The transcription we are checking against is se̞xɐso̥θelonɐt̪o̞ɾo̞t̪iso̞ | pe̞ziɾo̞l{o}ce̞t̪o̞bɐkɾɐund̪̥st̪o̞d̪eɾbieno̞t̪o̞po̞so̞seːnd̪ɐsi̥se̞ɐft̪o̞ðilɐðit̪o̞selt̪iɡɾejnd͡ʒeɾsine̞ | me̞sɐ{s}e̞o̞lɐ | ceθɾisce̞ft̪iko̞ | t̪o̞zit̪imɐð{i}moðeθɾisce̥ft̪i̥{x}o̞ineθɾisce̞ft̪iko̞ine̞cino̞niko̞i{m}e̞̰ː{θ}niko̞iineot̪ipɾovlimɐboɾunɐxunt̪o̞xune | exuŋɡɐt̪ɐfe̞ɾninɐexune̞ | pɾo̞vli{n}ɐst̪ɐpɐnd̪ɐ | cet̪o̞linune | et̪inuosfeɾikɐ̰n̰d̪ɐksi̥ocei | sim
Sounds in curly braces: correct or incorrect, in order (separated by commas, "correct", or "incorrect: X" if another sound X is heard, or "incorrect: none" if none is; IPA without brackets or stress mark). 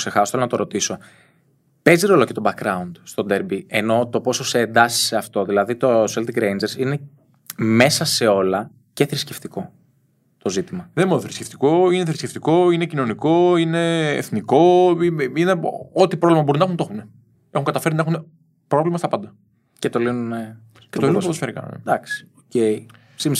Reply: correct, correct, incorrect: e, incorrect: k, incorrect: n, correct, incorrect: m